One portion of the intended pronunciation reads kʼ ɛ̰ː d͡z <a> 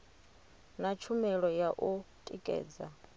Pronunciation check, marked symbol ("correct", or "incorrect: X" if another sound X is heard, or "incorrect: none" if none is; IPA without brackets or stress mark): correct